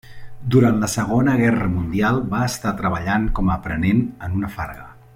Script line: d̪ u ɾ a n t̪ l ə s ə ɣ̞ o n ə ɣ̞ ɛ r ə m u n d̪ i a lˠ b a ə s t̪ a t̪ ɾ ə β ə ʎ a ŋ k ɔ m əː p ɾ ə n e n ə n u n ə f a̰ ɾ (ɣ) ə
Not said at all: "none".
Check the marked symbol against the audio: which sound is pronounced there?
ɣ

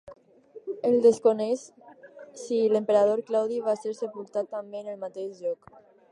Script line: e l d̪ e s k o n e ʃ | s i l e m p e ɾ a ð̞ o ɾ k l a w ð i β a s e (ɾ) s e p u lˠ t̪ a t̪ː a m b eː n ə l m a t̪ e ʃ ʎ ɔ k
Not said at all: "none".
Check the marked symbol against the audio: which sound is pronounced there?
ɾ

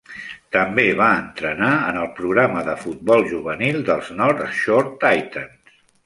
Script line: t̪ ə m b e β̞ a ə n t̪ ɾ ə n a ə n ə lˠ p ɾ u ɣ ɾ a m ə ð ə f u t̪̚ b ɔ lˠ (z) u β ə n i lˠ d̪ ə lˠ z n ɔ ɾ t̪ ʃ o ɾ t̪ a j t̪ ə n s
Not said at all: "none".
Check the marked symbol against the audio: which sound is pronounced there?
ʒ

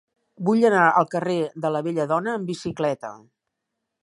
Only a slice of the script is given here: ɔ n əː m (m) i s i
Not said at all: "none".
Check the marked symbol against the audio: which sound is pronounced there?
b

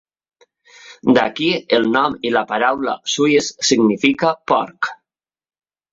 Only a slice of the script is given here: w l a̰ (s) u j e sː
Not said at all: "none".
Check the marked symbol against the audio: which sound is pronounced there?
s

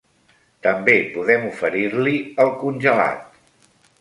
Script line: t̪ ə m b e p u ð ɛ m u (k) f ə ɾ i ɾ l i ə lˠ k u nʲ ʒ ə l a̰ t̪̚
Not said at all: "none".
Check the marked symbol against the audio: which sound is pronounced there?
none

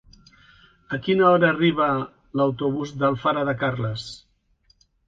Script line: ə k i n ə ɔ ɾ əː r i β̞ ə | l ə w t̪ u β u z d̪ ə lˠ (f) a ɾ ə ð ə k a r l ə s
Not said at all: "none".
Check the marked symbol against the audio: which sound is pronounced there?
f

